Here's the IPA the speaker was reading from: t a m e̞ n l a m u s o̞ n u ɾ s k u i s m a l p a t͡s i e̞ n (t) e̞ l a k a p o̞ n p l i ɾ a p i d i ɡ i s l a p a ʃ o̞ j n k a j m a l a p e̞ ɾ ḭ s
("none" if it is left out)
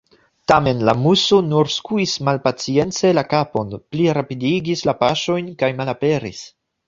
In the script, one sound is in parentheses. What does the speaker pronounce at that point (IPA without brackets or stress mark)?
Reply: t͡s